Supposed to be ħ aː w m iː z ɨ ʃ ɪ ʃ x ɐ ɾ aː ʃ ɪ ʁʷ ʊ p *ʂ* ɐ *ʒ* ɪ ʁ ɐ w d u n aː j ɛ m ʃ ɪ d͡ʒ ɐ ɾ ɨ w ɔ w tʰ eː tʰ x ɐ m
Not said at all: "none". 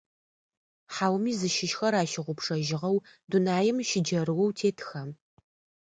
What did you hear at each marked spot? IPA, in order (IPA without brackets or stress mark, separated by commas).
ʂ, ʒ